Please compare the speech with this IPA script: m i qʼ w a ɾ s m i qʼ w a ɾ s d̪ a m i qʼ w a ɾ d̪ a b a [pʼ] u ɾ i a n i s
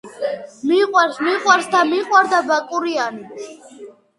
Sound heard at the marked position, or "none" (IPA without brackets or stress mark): kʼ